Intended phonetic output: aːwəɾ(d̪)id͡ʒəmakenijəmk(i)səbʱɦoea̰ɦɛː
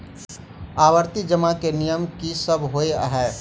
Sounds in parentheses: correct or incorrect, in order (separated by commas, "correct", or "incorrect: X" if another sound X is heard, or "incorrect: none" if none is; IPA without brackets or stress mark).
incorrect: t̪, correct